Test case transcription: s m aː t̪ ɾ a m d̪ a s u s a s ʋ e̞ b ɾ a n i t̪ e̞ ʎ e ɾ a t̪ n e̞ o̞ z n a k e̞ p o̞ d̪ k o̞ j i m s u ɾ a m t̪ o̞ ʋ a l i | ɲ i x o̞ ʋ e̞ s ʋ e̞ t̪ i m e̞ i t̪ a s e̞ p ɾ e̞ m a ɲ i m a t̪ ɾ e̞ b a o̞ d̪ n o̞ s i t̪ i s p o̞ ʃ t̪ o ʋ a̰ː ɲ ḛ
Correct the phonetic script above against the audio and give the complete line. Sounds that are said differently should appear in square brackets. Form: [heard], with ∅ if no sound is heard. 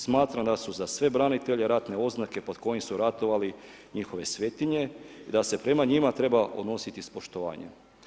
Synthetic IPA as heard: s m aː t̪ ɾ a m d̪ a s u [z] a s ʋ e̞ b ɾ a n i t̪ e̞ ʎ e ɾ a t̪ n e̞ o̞ z n a k e̞ p o̞ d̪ k o̞ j i m s u ɾ a [∅] t̪ o̞ ʋ a l i | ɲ i x o̞ ʋ e̞ s ʋ e̞ t̪ i [ɲ] e̞ i [d̪] a s e̞ p ɾ e̞ m a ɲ i m a t̪ ɾ e̞ b a o̞ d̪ n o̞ s i t̪ i s p o̞ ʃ t̪ o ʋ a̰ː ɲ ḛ